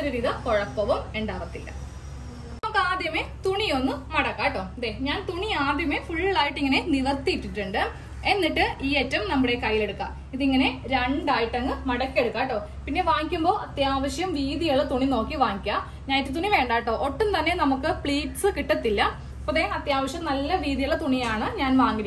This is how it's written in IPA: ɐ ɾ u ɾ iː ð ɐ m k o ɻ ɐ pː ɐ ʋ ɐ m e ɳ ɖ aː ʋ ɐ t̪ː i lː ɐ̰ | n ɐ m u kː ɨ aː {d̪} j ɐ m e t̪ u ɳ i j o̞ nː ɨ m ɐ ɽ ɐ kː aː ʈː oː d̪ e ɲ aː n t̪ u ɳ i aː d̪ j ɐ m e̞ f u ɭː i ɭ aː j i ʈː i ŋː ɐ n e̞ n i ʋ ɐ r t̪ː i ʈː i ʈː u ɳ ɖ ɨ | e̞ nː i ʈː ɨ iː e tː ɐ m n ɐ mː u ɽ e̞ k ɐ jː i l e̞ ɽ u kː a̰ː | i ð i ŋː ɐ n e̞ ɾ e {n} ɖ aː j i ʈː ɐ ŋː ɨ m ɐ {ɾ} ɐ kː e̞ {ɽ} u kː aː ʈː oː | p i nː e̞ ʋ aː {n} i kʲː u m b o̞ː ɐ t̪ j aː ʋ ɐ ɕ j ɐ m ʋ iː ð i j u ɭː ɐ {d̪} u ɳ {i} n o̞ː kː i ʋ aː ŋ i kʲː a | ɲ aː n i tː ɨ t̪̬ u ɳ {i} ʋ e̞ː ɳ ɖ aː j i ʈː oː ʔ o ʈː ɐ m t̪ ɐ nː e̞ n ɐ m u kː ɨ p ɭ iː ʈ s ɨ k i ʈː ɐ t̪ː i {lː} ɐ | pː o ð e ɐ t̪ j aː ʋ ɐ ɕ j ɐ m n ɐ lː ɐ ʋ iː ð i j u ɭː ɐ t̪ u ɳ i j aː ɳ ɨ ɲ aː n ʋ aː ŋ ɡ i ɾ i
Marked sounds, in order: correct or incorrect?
correct, incorrect: ɳ, incorrect: ɽ, correct, incorrect: ŋ, incorrect: t̪, correct, correct, correct

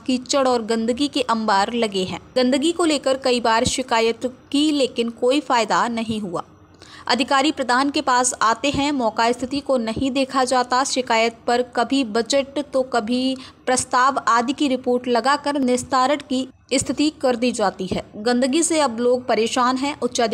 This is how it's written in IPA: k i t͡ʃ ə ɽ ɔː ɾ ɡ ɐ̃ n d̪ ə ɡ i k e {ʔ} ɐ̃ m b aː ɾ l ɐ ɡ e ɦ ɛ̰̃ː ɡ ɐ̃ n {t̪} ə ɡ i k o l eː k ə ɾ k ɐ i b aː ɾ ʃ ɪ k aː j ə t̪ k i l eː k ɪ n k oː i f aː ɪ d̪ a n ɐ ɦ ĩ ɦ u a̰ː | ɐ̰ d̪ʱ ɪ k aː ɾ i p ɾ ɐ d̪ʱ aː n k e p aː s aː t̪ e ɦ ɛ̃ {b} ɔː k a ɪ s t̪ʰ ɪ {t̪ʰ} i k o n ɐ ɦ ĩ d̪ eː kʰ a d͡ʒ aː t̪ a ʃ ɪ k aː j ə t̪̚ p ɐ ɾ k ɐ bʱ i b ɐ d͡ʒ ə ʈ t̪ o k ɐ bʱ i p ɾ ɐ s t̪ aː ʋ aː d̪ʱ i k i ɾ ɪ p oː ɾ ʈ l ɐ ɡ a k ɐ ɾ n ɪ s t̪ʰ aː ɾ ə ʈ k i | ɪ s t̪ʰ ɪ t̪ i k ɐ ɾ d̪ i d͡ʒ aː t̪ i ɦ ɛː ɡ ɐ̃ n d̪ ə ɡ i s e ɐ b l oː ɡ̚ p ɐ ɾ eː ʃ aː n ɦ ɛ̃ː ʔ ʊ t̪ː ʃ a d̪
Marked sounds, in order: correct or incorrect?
correct, incorrect: d̪, incorrect: m, incorrect: t̪

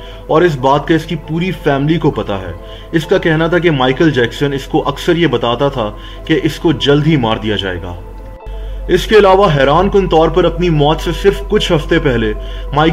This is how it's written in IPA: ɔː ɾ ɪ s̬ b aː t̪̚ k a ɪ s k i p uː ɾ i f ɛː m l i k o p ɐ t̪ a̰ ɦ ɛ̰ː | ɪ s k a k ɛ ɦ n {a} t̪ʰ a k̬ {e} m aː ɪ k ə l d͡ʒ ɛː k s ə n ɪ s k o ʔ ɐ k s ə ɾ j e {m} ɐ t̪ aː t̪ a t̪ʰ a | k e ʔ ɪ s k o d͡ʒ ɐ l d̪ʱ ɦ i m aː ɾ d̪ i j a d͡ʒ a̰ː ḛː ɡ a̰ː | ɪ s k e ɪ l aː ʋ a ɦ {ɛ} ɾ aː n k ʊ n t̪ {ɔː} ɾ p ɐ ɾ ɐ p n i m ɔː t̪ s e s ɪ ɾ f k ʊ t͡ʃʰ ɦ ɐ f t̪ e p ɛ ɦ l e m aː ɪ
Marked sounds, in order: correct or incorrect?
correct, correct, incorrect: b, incorrect: ɛː, correct

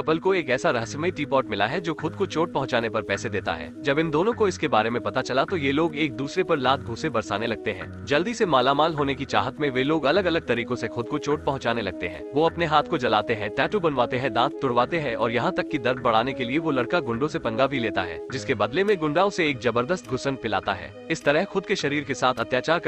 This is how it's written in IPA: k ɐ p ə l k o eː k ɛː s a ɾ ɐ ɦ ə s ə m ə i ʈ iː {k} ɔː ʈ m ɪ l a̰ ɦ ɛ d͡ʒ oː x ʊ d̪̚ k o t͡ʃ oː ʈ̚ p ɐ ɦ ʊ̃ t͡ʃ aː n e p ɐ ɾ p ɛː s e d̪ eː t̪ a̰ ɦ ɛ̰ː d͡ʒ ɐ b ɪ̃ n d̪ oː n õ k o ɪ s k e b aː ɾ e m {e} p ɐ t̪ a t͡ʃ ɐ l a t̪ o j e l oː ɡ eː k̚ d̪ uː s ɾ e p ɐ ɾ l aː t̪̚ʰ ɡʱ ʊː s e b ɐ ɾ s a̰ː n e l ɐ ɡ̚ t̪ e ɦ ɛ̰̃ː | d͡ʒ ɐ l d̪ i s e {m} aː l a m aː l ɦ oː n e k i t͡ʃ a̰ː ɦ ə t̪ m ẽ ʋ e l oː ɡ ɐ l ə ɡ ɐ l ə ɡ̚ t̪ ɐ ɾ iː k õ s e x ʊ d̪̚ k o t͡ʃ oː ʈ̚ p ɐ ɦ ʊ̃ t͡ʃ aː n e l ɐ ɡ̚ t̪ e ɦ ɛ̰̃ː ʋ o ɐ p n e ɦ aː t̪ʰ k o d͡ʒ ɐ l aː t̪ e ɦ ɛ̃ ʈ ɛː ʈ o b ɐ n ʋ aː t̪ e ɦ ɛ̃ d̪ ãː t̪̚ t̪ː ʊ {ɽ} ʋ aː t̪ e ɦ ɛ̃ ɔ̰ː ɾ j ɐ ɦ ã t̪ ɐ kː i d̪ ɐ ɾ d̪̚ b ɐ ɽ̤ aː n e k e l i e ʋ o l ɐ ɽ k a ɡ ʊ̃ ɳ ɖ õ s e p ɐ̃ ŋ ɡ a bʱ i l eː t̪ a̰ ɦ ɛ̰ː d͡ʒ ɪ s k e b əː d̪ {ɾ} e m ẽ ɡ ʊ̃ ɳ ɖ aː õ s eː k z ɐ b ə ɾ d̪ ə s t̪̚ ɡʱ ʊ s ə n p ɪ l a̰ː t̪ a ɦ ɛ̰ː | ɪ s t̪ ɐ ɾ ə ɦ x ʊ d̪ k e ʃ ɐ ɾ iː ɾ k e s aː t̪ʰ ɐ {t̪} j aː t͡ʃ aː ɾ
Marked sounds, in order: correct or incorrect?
incorrect: p, incorrect: ẽ, correct, correct, incorrect: l, correct

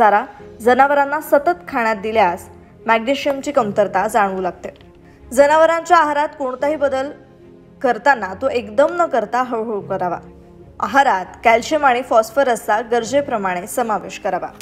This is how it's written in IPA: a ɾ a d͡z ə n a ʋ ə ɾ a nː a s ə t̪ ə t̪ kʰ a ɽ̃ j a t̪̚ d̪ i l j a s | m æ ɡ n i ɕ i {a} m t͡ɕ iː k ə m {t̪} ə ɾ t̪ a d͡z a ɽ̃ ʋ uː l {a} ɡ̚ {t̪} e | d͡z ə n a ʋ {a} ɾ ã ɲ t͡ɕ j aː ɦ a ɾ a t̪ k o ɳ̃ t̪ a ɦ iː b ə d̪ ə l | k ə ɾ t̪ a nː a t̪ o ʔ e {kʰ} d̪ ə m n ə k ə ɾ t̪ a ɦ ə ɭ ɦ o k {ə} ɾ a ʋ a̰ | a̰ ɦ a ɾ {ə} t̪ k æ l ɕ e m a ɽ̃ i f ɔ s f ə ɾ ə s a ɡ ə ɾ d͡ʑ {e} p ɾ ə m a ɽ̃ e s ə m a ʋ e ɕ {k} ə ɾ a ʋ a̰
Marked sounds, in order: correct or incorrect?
incorrect: ə, correct, correct, correct, incorrect: ə, incorrect: k, correct, incorrect: a, correct, correct

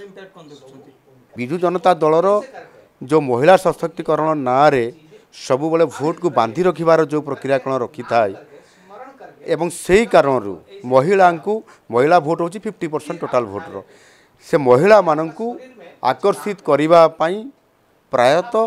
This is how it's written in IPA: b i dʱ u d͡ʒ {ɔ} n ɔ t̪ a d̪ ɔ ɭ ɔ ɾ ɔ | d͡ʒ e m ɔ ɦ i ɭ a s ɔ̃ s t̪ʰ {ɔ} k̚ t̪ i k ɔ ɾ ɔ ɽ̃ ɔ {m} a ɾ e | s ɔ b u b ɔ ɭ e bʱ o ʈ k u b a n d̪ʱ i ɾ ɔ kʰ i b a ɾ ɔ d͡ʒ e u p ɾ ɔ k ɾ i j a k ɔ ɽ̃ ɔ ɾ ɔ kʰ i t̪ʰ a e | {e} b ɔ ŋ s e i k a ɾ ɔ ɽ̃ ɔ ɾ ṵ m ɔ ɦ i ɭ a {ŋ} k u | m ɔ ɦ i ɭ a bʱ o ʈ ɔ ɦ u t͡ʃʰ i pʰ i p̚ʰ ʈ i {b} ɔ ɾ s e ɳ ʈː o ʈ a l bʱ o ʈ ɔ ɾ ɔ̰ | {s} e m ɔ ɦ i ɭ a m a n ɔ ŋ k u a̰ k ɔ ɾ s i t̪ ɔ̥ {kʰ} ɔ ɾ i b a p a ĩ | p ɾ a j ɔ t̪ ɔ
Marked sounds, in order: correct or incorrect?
correct, correct, incorrect: n, correct, correct, incorrect: p, correct, incorrect: k

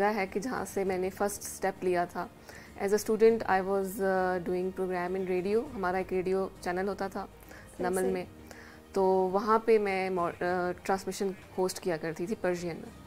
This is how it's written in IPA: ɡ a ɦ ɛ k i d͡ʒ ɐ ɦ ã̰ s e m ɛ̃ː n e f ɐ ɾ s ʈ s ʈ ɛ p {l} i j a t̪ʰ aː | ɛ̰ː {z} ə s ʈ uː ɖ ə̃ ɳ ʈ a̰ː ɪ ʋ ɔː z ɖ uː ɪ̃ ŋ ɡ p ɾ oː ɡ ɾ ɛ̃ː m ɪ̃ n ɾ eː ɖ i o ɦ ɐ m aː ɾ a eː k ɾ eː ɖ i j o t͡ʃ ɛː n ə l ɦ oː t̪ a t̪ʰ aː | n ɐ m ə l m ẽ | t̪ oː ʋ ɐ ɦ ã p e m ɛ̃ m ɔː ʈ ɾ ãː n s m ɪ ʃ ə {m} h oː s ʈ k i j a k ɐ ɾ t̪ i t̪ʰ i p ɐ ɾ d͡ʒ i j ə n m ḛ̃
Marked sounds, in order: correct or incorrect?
correct, correct, incorrect: n

